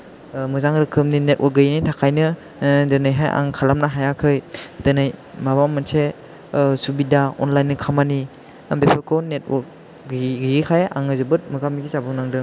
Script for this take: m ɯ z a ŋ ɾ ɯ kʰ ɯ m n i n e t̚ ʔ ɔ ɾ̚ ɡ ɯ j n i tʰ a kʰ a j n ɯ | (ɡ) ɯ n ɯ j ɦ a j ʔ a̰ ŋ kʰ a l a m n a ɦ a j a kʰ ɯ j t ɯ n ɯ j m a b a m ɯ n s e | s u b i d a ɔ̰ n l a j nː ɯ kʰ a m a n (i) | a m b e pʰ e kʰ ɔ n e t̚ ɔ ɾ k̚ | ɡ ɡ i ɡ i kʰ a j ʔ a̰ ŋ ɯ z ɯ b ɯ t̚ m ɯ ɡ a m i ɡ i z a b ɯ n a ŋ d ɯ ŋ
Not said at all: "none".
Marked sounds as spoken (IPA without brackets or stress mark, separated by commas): d, i